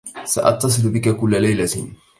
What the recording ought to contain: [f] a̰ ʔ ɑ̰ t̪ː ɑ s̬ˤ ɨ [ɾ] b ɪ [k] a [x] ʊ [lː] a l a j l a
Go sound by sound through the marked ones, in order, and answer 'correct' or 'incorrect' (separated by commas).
incorrect, incorrect, correct, incorrect, correct